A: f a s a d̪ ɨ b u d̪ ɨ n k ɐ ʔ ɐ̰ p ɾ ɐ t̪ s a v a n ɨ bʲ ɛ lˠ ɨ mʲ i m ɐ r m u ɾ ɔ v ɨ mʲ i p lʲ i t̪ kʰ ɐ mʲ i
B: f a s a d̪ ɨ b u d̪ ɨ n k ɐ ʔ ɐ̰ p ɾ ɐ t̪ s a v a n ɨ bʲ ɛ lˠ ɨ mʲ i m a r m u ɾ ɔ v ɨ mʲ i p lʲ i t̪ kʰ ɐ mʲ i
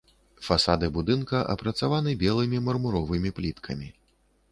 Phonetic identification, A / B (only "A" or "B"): A